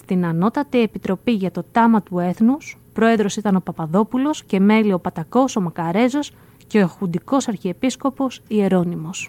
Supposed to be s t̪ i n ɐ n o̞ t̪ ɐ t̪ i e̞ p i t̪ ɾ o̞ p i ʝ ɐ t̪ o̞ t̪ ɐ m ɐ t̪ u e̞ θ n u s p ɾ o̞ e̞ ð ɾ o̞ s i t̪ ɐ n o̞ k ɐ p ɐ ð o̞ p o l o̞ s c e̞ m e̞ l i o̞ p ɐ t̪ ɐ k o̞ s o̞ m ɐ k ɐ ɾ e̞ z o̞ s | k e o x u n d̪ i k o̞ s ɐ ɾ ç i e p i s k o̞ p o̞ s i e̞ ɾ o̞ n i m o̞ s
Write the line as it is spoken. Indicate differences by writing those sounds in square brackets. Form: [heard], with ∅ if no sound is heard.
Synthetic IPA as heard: s t̪ i n ɐ n o̞ t̪ ɐ t̪ i e̞ p i t̪ ɾ o̞ p i ʝ ɐ t̪ o̞ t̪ ɐ m ɐ t̪ u e̞ θ n u s p ɾ o̞ e̞ ð ɾ o̞ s i t̪ ɐ n o̞ [p] ɐ p ɐ ð o̞ p [u] l o̞ s c e̞ m e̞ l i o̞ p ɐ t̪ ɐ k o̞ s o̞ m ɐ k ɐ ɾ e̞ z o̞ s | [c] e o x u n d̪ i k o̞ s ɐ ɾ ç i e p i s k o̞ p o̞ s i e̞ ɾ o̞ n i m o̞ s